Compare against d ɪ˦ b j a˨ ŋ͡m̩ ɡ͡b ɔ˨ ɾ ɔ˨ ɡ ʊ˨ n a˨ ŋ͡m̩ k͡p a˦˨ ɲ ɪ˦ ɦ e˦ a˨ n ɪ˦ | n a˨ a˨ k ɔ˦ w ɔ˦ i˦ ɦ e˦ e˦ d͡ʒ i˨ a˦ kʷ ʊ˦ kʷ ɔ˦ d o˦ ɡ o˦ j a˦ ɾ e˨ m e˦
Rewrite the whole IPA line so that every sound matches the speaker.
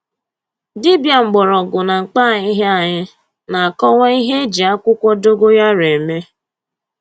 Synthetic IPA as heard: d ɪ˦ b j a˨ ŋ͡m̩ ɡ͡b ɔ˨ ɾ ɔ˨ ɡ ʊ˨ n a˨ ŋ͡m̩ k͡p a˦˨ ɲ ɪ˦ ɦ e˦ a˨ ɲ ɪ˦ | n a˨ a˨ k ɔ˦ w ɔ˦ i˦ ɦ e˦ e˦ d͡ʒ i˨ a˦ kʷ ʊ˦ kʷ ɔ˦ d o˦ ɡ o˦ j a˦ ɾ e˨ m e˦